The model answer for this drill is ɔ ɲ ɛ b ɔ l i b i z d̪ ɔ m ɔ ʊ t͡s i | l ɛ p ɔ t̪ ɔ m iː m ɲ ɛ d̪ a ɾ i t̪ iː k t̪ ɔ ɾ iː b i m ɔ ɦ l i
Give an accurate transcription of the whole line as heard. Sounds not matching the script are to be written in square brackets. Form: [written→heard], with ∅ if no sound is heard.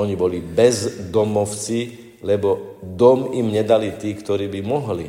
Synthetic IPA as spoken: ɔ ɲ [ɛ→i] b ɔ l i b [i→ɛ] z d̪ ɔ m ɔ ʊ t͡s i | l ɛ [p→b] ɔ [t̪→d̪] ɔ m [iː→i] m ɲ ɛ d̪ a [ɾ→l] i t̪ iː k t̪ ɔ ɾ iː b i m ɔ ɦ l i